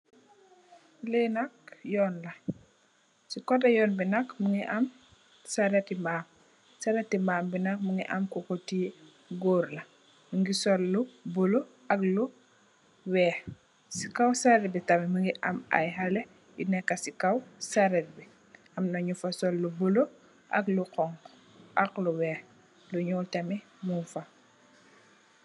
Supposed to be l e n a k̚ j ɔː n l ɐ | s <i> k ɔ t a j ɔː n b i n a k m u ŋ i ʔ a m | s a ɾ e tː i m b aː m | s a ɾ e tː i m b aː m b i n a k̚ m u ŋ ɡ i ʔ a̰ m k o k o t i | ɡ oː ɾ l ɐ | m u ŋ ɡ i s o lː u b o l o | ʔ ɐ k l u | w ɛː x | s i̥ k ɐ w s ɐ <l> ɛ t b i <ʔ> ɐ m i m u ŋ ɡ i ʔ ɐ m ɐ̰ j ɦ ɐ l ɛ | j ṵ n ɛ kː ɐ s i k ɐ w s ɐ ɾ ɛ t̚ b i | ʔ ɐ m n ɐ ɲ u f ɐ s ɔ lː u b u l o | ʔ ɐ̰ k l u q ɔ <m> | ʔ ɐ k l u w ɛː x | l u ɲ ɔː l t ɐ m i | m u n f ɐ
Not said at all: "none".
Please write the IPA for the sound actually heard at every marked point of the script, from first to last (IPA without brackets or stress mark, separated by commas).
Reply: i, ɾ, t, ŋ